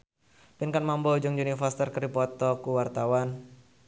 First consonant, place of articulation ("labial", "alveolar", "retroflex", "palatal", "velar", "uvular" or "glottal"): labial